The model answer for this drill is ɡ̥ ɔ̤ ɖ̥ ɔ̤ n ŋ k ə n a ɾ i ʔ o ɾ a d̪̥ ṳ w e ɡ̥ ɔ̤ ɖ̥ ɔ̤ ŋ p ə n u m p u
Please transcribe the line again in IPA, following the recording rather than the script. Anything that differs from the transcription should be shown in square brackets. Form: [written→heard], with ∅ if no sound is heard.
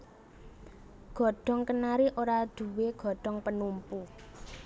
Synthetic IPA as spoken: ɡ̥ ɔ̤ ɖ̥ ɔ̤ [n→∅] ŋ k ə n a ɾ i ʔ o ɾ a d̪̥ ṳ w e ɡ̥ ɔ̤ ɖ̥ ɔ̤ ŋ p ə n u m p u